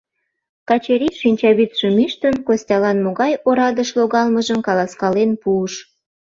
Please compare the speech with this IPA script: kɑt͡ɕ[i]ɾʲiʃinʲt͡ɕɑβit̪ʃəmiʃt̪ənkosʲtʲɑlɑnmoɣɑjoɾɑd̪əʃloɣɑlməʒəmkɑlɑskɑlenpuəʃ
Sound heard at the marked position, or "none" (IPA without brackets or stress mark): e